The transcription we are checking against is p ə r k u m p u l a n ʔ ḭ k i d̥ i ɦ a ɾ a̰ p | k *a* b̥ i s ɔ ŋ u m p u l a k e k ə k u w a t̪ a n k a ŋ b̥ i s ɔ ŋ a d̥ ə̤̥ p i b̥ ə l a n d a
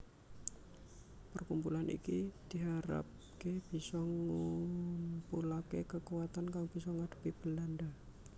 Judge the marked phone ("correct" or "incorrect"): incorrect